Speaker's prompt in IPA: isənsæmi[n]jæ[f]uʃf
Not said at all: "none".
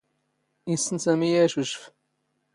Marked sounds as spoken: none, ʃ

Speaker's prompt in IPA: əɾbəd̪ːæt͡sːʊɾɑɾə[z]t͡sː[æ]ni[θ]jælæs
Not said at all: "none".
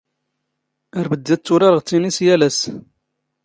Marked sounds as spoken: ʁ, i, s

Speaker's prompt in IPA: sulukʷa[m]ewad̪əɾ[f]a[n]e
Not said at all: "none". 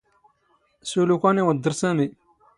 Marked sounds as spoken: n, s, m

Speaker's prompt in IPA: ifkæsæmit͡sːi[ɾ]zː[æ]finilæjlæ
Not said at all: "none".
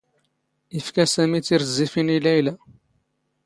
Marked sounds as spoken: ɾ, i

